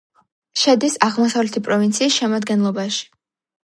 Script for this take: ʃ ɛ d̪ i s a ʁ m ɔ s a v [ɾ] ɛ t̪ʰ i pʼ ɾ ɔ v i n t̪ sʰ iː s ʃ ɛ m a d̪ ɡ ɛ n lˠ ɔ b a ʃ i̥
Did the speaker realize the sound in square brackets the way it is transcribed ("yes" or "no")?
no